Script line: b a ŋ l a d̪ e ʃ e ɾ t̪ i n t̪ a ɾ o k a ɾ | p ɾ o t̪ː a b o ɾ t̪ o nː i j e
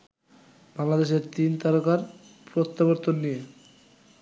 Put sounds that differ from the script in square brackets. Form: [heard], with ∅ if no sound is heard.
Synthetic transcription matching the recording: b a ŋ l a d̪ e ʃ e ɾ t̪ i n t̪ a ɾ o k a ɾ | p ɾ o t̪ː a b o ɾ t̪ o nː i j e